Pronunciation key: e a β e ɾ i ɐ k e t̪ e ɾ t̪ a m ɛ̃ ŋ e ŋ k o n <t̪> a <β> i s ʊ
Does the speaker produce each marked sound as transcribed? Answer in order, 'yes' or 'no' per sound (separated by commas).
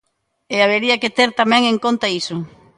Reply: yes, no